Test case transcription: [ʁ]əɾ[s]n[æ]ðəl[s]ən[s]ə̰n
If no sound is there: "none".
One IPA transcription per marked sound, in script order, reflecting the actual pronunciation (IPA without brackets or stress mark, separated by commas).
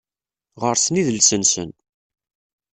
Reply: ʁ, s, i, s, s